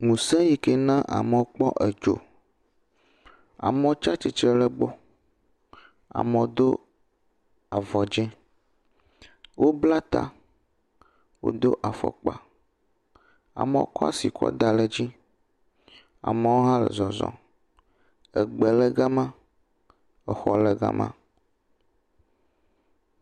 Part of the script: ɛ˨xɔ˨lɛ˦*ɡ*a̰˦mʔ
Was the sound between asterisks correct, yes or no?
yes